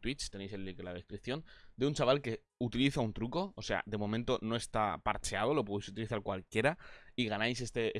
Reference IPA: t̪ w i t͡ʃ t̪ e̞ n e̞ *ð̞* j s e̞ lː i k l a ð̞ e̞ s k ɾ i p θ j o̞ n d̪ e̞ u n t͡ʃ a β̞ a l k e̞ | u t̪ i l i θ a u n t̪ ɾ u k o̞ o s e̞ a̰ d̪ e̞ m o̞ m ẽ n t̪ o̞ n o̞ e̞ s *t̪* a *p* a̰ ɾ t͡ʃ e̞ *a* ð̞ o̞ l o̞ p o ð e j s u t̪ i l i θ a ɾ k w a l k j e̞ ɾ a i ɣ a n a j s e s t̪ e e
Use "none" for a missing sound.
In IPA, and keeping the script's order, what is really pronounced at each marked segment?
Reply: none, t̪, p, a

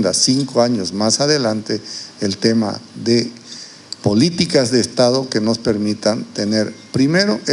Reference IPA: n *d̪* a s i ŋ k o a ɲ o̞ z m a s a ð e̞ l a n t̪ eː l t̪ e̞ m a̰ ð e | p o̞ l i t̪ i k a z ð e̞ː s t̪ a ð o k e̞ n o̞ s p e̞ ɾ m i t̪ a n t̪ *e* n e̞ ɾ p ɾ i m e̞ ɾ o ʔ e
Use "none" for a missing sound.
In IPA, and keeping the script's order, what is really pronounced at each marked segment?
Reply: d̪, e

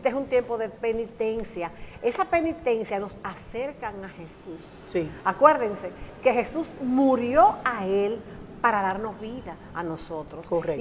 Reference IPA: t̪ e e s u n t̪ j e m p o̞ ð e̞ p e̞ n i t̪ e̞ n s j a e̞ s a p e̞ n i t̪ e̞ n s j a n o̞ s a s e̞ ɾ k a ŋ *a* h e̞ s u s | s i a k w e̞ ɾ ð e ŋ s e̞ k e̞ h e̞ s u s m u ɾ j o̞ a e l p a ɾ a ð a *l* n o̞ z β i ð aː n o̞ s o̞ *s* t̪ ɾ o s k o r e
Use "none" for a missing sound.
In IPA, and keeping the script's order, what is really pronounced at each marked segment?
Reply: a, ɾ, none

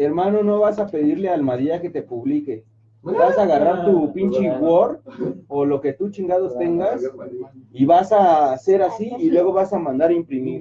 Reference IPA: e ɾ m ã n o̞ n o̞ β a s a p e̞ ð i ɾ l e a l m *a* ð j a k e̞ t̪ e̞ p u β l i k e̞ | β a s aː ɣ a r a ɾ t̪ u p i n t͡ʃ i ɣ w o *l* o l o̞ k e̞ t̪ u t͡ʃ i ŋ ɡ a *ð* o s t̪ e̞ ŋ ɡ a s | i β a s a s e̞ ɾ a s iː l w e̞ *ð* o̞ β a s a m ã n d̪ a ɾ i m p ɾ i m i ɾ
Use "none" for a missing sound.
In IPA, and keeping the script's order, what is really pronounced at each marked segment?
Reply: a, ɾ, ð, ɣ

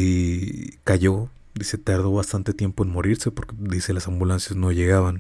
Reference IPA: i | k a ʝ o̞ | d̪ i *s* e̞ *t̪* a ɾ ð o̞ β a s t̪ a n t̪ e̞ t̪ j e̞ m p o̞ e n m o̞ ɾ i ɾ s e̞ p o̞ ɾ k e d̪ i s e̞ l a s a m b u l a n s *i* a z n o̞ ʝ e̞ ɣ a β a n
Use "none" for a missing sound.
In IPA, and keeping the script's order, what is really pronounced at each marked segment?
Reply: s, t̪, j

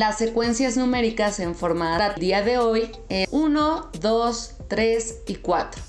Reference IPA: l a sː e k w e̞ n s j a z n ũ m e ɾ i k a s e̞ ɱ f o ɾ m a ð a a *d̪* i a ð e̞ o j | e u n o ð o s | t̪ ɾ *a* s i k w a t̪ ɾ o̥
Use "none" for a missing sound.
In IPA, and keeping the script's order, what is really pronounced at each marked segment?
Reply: d̪, e

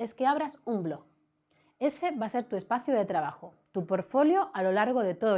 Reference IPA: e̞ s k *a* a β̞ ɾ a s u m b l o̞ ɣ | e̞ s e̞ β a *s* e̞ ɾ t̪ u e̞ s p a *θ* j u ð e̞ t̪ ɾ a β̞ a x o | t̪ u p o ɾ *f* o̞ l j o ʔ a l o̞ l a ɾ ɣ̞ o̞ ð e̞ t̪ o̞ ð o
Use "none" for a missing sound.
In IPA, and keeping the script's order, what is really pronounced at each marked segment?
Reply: e, s, θ, f

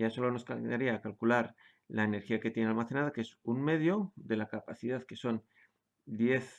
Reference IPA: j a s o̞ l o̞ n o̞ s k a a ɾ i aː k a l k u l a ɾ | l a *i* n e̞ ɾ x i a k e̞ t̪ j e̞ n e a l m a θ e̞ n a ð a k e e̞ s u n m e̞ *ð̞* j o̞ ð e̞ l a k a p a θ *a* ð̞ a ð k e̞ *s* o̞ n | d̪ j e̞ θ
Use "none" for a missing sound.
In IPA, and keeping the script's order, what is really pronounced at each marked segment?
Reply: e, ð̞, i, s

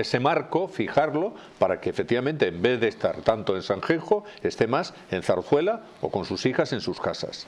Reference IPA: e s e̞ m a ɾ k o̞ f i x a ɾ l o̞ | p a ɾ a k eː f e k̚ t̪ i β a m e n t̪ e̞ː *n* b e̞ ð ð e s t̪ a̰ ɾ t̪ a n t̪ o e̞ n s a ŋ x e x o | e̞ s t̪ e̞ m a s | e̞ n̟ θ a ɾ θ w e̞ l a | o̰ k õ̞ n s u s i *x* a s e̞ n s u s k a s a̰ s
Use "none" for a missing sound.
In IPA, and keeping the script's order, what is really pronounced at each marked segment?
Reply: m, x

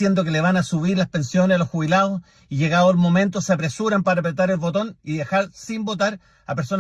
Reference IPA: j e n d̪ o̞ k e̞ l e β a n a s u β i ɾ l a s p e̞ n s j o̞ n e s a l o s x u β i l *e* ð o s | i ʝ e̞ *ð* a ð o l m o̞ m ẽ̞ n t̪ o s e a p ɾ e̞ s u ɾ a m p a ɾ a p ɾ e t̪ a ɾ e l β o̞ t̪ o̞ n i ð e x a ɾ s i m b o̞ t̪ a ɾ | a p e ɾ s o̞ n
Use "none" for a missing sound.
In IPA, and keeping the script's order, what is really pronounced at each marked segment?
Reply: a, ɣ

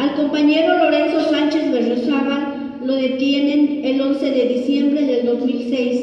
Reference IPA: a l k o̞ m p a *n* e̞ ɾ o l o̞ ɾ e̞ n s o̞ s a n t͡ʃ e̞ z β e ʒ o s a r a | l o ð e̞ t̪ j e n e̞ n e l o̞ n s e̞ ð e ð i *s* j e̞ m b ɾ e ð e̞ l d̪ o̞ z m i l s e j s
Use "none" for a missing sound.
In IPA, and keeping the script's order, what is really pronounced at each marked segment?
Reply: ɲ, s

